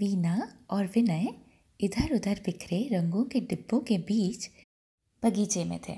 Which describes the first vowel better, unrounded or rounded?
unrounded